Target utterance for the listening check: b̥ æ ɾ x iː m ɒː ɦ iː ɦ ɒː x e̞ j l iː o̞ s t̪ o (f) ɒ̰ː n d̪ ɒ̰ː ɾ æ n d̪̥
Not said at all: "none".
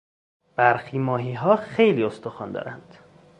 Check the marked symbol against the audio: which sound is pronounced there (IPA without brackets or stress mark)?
x